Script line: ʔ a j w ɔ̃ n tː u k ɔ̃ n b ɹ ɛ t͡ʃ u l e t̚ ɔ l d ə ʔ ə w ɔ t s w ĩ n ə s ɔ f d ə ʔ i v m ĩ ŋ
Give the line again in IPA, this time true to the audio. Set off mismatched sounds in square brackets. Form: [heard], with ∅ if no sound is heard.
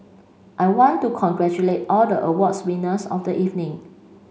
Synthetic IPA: ʔ a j w ɔ̃ n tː u [kʰ] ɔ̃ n [ɡ] ɹ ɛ t͡ʃ u l e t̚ ɔ l d ə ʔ ə w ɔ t s w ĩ n ə s ɔ f d ə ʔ i v [n] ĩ ŋ